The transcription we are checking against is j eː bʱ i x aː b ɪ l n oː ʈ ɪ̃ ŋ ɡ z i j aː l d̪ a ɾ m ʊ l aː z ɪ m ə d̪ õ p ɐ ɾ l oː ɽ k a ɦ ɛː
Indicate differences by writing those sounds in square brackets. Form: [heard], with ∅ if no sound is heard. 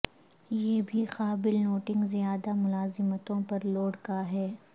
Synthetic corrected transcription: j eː bʱ i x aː b ɪ l n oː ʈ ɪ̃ ŋ ɡ z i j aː [∅] d̪ a [∅] m ʊ l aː z ɪ m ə [t̪] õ p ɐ ɾ l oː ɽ k a ɦ ɛː